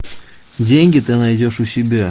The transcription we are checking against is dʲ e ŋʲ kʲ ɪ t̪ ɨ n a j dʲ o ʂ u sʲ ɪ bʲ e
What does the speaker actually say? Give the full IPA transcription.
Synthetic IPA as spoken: dʲ e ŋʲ ɡʲ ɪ t̪ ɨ n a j dʲ o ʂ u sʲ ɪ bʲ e